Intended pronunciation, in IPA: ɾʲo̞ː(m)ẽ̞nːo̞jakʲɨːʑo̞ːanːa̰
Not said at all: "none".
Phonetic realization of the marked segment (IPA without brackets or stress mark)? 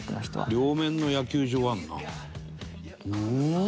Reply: m